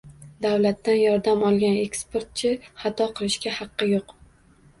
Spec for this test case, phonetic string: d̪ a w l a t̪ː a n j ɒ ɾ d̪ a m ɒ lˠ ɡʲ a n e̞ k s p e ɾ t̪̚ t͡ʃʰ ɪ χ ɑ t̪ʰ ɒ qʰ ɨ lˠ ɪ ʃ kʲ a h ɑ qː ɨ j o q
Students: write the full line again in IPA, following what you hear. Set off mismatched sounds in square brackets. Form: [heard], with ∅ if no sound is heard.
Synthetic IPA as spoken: d̪ a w l a t̪ː a n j ɒ ɾ d̪ a m ɒ lˠ ɡʲ a n e̞ k s p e ɾ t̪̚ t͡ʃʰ ɪ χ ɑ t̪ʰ ɒ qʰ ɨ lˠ ɪ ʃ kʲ a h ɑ qː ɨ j o q